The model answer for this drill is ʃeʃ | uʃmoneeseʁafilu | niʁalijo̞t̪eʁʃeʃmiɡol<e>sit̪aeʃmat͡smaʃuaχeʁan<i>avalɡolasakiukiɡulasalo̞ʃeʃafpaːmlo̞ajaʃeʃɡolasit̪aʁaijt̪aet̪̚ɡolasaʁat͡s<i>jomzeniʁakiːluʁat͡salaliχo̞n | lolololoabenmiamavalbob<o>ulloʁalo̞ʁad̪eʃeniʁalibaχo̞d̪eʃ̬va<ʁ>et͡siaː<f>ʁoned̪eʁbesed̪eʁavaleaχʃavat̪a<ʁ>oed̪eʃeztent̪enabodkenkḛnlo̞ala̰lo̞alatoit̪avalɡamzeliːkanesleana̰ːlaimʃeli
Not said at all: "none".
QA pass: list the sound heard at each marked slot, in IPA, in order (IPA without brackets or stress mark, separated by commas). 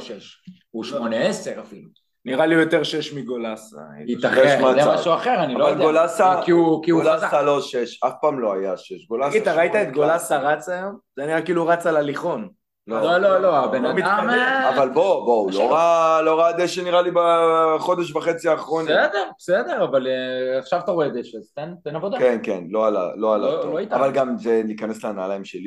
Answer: a, i, a, o, χ, χ, ʁ